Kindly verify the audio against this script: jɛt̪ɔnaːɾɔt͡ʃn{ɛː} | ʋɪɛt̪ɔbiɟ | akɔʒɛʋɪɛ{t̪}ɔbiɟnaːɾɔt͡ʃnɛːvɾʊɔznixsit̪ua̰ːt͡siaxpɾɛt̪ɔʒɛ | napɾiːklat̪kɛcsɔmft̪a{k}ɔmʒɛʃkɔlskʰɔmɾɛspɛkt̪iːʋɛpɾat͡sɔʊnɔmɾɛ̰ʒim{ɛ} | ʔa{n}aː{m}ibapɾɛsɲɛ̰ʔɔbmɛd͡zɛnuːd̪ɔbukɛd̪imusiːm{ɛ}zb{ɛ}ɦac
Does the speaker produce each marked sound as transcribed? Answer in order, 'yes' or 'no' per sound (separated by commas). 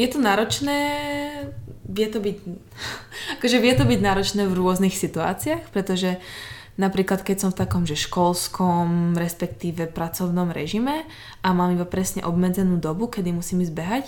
yes, yes, yes, yes, no, yes, no, yes